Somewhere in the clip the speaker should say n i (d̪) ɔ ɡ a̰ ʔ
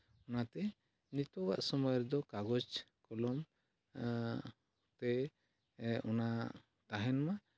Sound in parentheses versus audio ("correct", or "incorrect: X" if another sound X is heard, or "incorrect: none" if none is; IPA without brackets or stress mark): incorrect: t̪